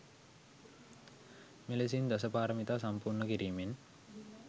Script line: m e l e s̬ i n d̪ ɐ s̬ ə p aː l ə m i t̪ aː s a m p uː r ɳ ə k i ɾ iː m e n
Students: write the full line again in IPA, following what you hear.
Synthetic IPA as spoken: m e l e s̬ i n d̪ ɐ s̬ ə p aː ɾ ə m i t̪ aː s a m p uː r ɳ ə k i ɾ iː m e n